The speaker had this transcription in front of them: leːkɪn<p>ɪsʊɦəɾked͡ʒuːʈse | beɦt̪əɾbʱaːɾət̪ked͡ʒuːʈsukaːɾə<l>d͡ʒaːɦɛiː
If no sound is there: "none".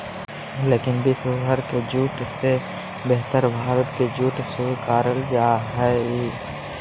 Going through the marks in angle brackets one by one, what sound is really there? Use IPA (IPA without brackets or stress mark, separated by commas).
b, l